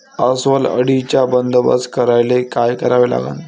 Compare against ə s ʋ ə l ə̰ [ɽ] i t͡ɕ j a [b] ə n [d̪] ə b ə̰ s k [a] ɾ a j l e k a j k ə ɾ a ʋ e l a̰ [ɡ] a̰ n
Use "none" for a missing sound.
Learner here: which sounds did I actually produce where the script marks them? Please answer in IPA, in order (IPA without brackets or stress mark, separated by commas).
ɽ, b, d̪, ə, ɡ